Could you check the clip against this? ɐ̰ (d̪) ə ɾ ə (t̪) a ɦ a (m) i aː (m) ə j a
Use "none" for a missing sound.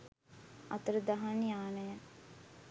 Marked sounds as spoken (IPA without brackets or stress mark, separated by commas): t̪, d̪, n, n